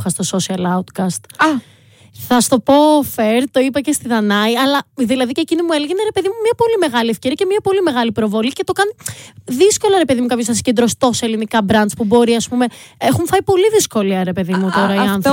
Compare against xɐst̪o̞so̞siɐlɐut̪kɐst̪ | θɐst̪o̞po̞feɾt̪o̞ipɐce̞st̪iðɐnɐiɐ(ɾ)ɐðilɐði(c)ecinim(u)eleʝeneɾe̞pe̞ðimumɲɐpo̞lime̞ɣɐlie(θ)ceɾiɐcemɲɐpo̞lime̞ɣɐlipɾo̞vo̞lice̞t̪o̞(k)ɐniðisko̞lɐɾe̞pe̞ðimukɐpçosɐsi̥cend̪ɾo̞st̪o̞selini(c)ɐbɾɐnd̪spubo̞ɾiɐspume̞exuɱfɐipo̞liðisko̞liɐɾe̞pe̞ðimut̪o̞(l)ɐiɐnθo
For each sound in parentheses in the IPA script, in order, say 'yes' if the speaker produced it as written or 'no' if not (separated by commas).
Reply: no, yes, yes, no, yes, no, no